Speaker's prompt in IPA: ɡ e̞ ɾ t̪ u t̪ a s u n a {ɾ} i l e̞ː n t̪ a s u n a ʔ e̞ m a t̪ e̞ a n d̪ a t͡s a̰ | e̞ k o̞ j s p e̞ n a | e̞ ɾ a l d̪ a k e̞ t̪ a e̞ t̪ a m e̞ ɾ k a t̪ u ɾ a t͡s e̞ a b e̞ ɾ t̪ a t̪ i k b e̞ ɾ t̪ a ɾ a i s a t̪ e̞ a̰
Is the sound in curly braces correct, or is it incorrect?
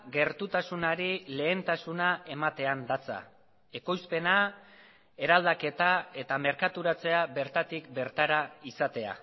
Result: correct